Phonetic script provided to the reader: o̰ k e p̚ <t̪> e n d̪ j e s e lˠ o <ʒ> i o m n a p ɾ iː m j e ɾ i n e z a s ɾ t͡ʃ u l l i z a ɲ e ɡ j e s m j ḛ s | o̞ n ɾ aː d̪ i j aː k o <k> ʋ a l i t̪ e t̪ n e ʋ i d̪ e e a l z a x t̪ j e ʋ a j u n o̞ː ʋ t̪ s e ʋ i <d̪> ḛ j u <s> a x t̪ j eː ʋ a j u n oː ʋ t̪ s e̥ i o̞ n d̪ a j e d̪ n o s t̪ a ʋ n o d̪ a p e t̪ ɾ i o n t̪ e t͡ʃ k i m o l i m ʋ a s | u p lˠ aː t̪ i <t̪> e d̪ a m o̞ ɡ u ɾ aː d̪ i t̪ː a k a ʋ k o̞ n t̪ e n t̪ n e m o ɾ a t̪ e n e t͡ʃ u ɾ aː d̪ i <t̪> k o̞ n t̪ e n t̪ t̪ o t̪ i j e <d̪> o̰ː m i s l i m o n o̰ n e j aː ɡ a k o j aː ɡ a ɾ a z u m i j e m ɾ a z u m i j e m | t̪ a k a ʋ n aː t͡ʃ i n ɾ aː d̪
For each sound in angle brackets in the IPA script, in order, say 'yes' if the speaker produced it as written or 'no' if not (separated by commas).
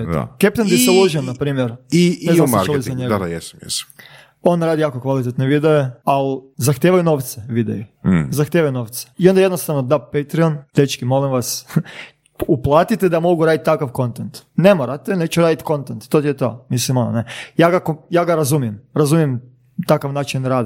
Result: yes, yes, yes, yes, no, yes, yes, no